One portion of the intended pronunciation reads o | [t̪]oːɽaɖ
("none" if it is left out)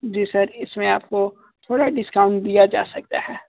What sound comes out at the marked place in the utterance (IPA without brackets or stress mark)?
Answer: t̪ʰ